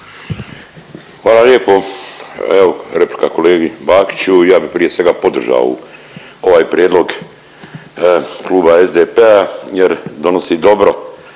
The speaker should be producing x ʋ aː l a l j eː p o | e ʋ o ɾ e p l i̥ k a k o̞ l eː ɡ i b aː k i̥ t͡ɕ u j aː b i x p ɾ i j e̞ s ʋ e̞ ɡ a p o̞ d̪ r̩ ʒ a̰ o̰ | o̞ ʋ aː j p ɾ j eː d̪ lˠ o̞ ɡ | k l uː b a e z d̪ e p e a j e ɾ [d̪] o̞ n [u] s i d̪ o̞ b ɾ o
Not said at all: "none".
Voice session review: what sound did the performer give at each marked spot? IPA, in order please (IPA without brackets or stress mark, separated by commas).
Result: d̪, o